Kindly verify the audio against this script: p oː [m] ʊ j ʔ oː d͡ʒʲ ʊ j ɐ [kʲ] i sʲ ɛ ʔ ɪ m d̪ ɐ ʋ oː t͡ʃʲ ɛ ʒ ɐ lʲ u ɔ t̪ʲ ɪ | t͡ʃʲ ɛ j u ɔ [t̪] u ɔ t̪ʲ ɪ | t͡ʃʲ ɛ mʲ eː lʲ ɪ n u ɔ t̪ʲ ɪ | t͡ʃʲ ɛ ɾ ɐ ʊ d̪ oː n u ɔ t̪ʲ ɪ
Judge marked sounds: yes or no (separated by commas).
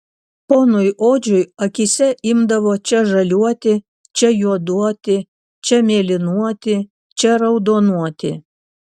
no, yes, no